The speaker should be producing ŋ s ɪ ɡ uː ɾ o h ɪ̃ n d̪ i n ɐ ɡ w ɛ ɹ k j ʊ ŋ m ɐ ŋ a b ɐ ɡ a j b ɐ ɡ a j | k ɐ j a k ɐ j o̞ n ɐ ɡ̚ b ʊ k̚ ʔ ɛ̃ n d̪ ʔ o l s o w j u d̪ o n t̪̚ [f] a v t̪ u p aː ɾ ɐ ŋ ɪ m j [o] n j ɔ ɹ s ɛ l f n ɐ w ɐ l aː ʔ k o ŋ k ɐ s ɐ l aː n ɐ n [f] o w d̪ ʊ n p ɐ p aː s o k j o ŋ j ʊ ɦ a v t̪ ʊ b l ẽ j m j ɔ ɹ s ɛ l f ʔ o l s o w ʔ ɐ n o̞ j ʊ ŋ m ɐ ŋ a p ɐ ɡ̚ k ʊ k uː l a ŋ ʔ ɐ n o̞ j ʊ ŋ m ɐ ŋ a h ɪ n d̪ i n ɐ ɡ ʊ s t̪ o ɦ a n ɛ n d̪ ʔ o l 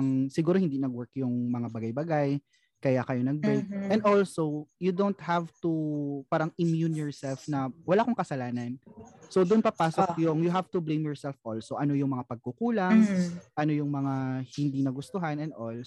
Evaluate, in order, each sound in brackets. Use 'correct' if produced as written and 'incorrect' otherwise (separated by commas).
incorrect, incorrect, incorrect